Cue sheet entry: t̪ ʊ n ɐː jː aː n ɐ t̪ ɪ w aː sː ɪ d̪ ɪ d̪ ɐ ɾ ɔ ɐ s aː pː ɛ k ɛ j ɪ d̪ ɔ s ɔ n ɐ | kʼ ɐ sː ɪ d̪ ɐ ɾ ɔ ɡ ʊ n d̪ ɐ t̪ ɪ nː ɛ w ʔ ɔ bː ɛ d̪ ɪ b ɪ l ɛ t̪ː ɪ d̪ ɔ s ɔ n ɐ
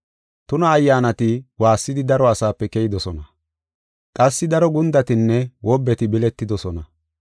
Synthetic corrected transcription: t̪ ʊ n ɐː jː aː n ɐ t̪ ɪ w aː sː ɪ d̪ ɪ d̪ ɐ ɾ ɔ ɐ s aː pː ɛ k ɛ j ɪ d̪ ɔ s ɔ n ɐ | kʼ ɐ sː ɪ d̪ ɐ ɾ ɔ ɡ ʊ n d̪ ɐ t̪ ɪ nː ɛ w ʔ ɔ bː ɛ t̪ ɪ b ɪ l ɛ t̪ː ɪ d̪ ɔ s ɔ n ɐ